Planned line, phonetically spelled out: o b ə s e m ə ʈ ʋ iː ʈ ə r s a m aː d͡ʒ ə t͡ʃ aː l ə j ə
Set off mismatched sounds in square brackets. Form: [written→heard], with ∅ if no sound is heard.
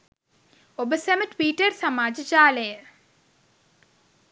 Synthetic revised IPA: o b ə s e m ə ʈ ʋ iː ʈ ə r s a m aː d͡ʒ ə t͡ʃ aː l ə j ə